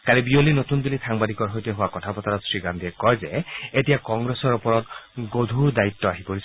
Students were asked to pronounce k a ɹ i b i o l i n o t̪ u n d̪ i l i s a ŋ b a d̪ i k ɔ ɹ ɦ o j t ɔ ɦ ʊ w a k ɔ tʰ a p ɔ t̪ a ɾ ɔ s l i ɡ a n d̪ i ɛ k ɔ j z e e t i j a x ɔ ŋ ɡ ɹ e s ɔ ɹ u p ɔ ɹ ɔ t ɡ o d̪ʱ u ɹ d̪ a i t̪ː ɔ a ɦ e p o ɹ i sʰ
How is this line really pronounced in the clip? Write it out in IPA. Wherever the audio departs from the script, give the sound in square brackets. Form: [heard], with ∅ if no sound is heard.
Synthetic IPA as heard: k a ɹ i b i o l i n o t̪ u n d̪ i l i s a ŋ b a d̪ i k ɔ ɹ ɦ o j t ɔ ɦ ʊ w a k ɔ tʰ a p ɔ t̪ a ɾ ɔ s [ɹ] i ɡ a n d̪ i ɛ k ɔ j z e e t i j a [k] ɔ ŋ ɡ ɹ e s ɔ ɹ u p ɔ ɹ ɔ t ɡ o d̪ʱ u ɹ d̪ a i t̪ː ɔ a ɦ [i] p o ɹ i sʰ